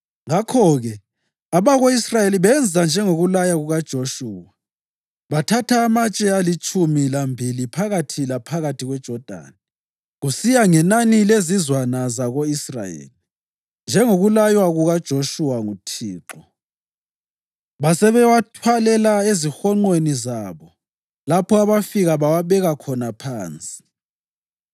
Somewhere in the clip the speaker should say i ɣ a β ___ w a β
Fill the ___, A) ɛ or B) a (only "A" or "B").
B